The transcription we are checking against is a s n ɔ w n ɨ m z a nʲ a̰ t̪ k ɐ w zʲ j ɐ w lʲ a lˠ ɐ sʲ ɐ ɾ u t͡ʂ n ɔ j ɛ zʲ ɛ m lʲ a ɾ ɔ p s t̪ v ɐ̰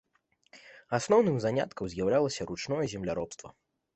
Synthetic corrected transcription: a s n ɔ w n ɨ m z a nʲ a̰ t̪ k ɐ w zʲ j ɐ w lʲ a lˠ ɐ sʲ ɐ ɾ u t͡ʂ n ɔ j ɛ zʲ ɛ m lʲ a ɾ ɔ p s t̪ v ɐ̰